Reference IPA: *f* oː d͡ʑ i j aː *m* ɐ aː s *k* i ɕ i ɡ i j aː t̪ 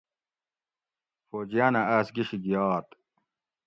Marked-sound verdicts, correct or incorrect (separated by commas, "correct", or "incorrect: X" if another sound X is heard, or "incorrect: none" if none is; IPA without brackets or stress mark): correct, incorrect: n, incorrect: ɡ